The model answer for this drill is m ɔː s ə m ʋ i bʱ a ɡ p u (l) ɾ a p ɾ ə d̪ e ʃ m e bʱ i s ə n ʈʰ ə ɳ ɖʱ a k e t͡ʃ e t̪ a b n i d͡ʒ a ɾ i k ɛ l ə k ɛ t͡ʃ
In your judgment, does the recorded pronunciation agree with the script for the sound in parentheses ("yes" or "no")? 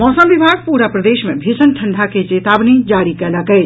no